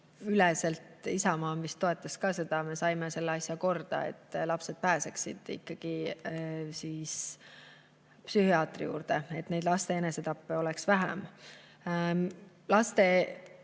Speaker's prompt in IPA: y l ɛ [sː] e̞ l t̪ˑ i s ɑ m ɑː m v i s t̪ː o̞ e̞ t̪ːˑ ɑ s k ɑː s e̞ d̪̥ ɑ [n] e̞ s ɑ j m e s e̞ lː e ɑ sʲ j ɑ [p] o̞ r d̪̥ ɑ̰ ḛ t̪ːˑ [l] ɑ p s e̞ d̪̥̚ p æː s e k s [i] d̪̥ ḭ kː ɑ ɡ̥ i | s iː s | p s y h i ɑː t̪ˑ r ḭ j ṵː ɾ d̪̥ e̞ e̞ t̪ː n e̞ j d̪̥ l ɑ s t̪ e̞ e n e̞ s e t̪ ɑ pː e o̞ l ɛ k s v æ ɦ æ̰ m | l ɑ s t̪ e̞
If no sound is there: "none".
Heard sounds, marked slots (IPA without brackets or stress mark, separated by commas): s, m, k, l, i